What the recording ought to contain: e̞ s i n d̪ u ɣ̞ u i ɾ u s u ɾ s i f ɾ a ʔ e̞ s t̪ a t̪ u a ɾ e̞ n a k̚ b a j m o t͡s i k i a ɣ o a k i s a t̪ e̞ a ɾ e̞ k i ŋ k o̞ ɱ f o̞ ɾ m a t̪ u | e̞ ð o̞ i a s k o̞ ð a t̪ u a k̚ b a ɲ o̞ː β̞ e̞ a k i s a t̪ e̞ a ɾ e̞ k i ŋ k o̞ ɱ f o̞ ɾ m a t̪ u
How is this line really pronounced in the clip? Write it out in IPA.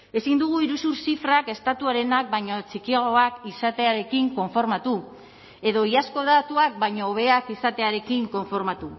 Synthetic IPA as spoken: e̞ s i n d̪ u ɣ̞ u i ɾ u s u ɾ s i f ɾ a k e̞ s t̪ a t̪ u a ɾ e̞ n a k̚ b a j ɲ o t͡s i k i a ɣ o a k i s a t̪ e̞ a ɾ e̞ k i ŋ k o̞ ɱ f o̞ ɾ m a t̪ u | e̞ ð o̞ i a s k o̞ ð a t̪ u a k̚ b a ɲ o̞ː β̞ e̞ a k i s a t̪ e̞ a ɾ e̞ k i ŋ k o̞ ɱ f o̞ ɾ m a t̪ u